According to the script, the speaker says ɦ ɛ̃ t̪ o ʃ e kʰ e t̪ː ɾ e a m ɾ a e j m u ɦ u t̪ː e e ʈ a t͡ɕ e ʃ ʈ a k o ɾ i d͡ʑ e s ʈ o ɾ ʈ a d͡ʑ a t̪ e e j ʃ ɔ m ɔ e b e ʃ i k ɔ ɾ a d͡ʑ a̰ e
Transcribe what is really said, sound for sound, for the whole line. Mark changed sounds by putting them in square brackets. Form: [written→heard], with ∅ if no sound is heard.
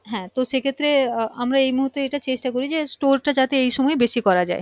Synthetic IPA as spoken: ɦ ɛ̃ t̪ o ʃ e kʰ e t̪ː ɾ e a m ɾ a e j m u ɦ u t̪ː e e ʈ a t͡ɕ e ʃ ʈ a k o ɾ i d͡ʑ e s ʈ o ɾ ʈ a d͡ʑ a t̪ e e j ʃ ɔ m ɔ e b e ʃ i k ɔ ɾ a d͡ʑ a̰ e